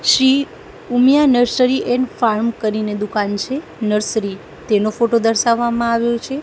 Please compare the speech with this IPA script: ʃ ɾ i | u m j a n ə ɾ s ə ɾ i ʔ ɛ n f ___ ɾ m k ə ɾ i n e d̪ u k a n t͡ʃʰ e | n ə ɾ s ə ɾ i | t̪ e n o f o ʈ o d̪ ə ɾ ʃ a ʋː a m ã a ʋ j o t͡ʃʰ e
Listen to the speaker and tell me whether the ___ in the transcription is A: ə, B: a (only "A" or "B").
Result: B